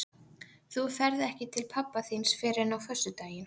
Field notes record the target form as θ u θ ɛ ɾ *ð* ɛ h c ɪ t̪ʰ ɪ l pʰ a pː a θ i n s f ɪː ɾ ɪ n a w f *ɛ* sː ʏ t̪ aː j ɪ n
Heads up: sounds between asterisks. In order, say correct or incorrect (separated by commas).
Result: correct, incorrect